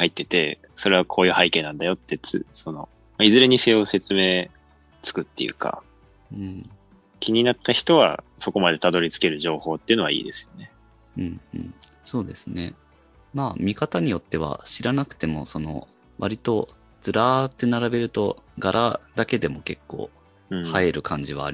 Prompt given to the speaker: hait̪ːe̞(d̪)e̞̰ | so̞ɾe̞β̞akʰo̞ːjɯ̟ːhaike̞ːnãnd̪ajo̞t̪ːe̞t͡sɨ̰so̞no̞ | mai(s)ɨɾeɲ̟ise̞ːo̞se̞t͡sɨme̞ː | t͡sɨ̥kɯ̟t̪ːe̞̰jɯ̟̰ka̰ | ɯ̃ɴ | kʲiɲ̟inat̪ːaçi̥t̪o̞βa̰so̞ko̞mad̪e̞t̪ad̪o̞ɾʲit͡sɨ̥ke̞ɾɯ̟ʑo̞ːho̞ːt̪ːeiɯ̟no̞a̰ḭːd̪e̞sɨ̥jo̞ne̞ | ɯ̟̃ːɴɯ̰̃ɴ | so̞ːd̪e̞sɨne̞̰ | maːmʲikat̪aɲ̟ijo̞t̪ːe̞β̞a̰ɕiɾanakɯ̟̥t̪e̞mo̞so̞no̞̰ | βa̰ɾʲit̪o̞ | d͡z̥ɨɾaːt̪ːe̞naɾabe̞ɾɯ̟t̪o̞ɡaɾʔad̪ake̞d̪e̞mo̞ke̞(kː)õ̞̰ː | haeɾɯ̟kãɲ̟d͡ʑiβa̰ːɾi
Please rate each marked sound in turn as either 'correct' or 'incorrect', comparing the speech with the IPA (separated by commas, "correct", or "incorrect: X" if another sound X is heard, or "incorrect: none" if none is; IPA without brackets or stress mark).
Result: incorrect: t̪, incorrect: z, correct